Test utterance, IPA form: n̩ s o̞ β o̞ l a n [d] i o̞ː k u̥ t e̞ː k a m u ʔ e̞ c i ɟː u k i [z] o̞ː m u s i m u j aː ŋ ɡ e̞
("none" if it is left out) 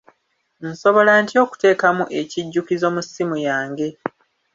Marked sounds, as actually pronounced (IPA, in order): t, z

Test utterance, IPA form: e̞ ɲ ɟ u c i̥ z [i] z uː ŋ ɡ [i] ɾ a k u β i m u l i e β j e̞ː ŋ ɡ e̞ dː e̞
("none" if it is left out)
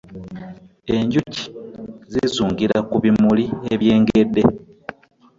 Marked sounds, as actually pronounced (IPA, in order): i, i

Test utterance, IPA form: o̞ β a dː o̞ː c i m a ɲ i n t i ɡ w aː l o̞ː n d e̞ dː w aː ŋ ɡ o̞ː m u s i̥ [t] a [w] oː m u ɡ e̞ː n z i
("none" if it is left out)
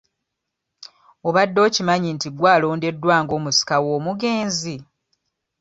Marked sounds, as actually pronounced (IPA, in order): k, w

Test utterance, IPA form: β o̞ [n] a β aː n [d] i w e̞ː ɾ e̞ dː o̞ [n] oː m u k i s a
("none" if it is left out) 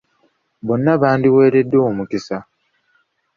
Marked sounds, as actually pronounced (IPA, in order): nː, d, none

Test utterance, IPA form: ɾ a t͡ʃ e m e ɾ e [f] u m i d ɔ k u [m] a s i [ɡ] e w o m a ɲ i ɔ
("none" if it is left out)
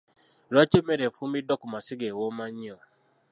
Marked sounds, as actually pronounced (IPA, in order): f, m, ɡ

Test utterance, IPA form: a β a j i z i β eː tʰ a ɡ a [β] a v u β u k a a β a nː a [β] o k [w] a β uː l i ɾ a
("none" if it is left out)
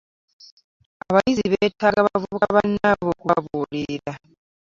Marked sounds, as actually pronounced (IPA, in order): β, β, u

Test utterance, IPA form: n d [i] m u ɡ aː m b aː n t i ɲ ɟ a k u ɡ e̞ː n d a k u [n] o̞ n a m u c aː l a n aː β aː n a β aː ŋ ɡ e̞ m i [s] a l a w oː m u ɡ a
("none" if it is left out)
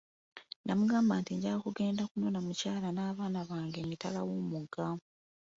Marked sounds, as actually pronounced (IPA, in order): a, n, t

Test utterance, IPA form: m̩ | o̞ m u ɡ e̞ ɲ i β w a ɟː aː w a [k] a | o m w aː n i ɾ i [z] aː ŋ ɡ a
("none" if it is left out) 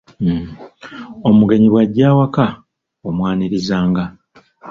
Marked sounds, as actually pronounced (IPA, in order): k, z

